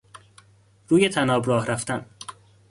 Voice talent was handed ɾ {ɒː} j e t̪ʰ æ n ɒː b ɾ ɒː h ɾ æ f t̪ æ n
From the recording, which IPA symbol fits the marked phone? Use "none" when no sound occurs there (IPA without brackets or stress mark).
uː